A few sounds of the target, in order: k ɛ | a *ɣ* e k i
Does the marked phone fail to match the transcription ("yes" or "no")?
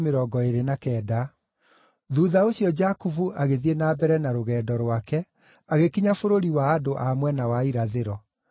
no